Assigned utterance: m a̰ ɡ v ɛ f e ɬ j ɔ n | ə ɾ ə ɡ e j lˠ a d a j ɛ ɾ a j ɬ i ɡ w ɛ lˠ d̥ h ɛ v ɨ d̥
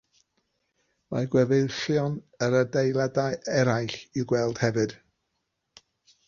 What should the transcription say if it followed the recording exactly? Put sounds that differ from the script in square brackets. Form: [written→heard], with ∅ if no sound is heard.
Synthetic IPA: m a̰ ɡ [v→w] ɛ [f→v] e ɬ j ɔ n | ə ɾ ə [ɡ→d] e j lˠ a d a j ɛ ɾ a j ɬ i ɡ w ɛ lˠ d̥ h ɛ v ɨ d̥